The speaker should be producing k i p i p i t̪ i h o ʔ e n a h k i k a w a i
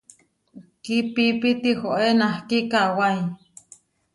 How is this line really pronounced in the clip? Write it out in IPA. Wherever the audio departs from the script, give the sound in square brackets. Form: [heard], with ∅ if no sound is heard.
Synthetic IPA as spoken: k i p i p i t̪ i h o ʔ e n a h k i k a w a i